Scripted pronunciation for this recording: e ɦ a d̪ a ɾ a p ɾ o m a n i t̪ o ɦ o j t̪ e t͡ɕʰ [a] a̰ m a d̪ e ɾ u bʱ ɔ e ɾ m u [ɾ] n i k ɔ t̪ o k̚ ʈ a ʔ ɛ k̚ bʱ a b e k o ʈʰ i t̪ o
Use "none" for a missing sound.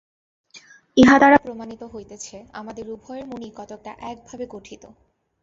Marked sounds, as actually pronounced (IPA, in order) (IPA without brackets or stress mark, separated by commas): e, none